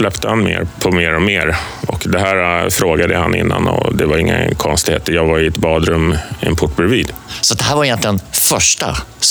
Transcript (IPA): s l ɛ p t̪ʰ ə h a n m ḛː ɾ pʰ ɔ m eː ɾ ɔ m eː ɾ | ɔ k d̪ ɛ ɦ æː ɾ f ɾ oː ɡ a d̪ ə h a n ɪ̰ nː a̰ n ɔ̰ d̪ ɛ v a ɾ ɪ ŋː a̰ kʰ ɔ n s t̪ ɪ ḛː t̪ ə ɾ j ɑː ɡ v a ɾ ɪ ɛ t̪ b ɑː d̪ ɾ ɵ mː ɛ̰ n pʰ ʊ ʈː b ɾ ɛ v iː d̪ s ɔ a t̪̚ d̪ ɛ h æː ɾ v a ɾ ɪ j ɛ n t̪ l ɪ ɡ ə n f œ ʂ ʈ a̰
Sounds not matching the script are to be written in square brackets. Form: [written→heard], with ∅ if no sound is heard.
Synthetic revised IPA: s l ɛ p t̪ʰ ə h a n m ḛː ɾ pʰ ɔ m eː ɾ ɔ m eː ɾ | ɔ k d̪ ɛ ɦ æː ɾ f ɾ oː ɡ a d̪ ə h a n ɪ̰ nː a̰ n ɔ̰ d̪ ɛ v a ɾ ɪ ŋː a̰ kʰ ɔ n s t̪ ɪ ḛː t̪ ə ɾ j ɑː ɡ v a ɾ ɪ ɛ t̪ b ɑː d̪ ɾ ɵ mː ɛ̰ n pʰ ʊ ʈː b ɾ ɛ v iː d̪ s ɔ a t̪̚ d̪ ɛ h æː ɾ v a ɾ ɪ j ɛ n t̪ l ɪ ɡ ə n f œ ʂ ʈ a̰